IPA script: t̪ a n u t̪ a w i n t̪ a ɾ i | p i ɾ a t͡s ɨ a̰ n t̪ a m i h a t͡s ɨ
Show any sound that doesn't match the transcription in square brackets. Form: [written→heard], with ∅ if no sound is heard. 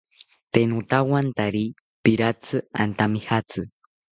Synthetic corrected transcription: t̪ [a→e] n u t̪ a w [i→a] n t̪ a ɾ i | p i ɾ a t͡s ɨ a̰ n t̪ a m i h a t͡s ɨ